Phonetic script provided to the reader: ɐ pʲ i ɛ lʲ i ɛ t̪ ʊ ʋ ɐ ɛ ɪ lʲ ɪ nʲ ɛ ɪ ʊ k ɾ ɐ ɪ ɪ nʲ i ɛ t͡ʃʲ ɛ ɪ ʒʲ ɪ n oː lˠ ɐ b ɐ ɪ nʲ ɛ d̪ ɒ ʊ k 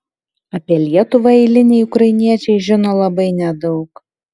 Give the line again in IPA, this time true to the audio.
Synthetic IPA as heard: ɐ pʲ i ɛ lʲ i ɛ t̪ ʊ ʋ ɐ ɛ ɪ lʲ ɪ nʲ ɛ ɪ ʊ k ɾ ɐ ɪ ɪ nʲ i ɛ t͡ʃʲ ɛ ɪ ʒʲ ɪ n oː lˠ ɐ b ɐ ɪ nʲ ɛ d̪ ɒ ʊ k